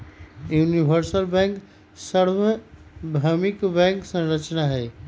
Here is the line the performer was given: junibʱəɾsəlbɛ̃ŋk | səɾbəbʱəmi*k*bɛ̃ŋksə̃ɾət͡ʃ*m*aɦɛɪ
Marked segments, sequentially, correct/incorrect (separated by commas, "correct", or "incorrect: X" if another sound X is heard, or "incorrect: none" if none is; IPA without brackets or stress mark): correct, incorrect: n